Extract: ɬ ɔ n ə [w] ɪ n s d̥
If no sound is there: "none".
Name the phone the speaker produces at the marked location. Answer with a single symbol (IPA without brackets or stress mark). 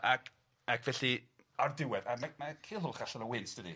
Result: w